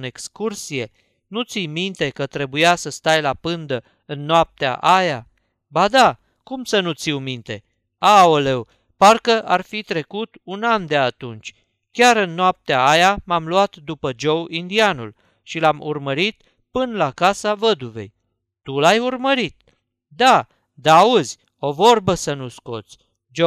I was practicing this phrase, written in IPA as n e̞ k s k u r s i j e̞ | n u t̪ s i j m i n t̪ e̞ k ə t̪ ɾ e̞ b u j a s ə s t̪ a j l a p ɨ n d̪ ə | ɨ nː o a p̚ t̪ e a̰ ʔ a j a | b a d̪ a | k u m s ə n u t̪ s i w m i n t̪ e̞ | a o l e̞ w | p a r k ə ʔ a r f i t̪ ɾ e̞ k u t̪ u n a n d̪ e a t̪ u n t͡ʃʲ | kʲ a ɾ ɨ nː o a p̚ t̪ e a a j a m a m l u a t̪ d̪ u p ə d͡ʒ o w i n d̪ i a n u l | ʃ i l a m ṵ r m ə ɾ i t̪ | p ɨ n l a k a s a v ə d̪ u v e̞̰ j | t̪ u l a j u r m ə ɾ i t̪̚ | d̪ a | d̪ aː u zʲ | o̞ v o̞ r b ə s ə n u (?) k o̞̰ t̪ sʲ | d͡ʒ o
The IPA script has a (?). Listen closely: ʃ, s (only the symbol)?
s